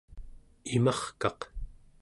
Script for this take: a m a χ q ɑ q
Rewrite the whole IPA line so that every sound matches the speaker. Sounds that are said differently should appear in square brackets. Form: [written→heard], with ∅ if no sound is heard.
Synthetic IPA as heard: [a→i] m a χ [q→k] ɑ q